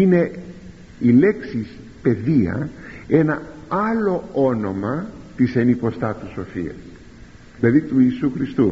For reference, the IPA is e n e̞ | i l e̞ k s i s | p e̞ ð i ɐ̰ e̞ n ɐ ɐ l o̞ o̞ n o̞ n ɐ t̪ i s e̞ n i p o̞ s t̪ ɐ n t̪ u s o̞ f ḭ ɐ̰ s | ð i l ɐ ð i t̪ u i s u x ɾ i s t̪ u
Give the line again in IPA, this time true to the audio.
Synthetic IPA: i n e̞ | i l e̞ k s i s | p e̞ ð i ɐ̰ e̞ n ɐ ɐ l o̞ o̞ n o̞ m ɐ t̪ i s e̞ n i p o̞ s t̪ ɐ t̪ u s o̞ f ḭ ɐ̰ s | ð i l ɐ ð i t̪ u i s u x ɾ i s t̪ u